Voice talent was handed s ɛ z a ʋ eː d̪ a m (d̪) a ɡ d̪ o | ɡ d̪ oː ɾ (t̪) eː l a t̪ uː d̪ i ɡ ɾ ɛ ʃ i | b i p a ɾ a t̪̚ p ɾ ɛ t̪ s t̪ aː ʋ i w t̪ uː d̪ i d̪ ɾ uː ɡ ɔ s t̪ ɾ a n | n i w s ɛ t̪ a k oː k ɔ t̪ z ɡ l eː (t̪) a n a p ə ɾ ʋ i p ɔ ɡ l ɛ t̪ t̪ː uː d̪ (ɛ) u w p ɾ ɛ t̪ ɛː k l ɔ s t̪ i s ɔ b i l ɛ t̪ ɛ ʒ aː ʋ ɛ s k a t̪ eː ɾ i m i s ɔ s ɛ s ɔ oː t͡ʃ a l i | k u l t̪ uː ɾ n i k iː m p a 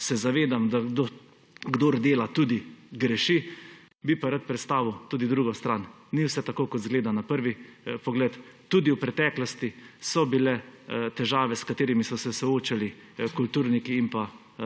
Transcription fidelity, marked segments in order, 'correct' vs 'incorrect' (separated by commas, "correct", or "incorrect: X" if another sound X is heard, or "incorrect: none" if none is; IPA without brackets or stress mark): correct, incorrect: d̪, incorrect: d̪, incorrect: i